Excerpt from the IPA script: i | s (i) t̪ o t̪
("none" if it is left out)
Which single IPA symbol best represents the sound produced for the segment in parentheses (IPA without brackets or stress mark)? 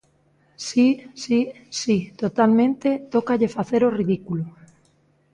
i